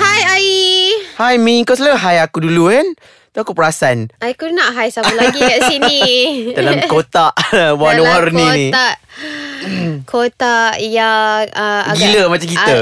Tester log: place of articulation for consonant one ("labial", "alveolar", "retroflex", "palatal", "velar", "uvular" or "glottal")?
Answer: glottal